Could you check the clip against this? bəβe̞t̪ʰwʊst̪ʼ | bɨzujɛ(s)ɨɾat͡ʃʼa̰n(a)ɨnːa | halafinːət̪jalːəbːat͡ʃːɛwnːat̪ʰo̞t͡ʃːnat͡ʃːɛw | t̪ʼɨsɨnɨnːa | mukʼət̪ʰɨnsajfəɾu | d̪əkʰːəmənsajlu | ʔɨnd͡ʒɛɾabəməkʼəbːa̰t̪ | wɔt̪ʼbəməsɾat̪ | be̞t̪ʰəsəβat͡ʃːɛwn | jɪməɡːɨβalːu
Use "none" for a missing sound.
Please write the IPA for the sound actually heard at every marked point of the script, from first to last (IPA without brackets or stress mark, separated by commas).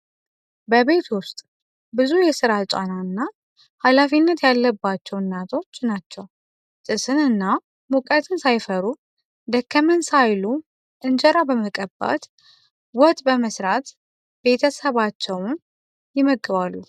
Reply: s, a